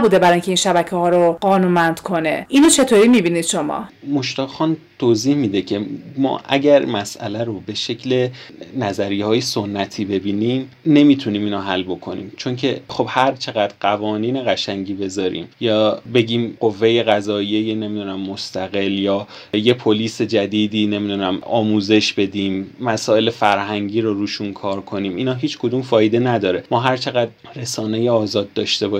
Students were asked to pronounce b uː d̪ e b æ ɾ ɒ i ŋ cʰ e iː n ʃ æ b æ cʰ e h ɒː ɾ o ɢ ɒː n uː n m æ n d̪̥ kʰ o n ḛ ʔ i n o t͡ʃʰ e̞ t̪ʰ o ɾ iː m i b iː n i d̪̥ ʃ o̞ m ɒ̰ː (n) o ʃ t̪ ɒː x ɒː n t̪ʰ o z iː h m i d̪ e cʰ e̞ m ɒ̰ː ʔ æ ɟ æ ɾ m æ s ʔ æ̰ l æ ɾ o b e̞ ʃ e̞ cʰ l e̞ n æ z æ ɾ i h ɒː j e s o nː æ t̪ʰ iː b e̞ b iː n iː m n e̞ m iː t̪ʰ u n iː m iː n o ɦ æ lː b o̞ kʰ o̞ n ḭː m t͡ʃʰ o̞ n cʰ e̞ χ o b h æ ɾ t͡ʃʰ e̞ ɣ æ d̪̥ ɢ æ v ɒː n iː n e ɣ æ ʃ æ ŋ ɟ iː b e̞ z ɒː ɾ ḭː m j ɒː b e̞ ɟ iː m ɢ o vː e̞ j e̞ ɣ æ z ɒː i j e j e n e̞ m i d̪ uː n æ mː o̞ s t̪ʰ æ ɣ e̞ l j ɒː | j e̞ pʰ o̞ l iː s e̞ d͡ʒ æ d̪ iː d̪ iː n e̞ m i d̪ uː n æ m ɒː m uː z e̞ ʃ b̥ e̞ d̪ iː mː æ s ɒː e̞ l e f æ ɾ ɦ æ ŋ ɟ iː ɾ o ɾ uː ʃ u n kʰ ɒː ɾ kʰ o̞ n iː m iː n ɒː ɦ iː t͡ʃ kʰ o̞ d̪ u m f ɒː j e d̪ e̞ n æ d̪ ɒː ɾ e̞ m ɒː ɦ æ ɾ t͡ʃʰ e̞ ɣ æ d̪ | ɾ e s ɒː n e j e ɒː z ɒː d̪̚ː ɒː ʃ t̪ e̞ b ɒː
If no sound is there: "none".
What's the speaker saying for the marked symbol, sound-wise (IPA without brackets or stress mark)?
m